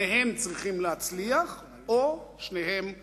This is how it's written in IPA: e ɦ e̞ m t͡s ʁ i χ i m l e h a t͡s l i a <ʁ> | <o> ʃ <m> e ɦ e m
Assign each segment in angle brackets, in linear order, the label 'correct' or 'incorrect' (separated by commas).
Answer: incorrect, correct, incorrect